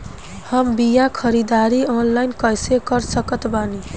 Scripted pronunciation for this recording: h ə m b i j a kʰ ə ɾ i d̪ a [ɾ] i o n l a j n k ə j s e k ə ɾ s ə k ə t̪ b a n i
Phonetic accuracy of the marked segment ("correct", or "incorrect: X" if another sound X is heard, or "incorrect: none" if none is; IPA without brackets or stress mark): correct